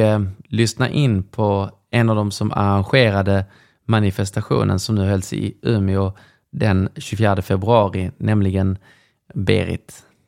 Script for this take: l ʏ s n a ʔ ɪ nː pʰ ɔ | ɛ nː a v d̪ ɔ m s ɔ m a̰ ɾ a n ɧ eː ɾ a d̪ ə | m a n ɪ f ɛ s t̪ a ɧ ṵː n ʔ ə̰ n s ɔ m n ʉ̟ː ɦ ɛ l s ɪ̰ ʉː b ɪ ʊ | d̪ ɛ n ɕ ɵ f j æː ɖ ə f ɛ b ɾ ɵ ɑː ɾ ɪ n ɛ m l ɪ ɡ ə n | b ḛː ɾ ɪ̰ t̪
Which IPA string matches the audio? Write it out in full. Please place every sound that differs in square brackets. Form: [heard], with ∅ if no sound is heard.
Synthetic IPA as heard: l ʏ s n a ʔ ɪ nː pʰ ɔ | ɛ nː a v d̪ ɔ m s ɔ m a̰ ɾ a n ɧ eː ɾ a d̪ ə | m a n ɪ f ɛ s t̪ a ɧ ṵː n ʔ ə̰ n s ɔ m n ʉ̟ː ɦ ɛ l s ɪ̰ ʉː [m] ɪ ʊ | d̪ ɛ n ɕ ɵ f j æː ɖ ə f ɛ b ɾ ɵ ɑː ɾ ɪ n ɛ m l ɪ ɡ ə n | b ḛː ɾ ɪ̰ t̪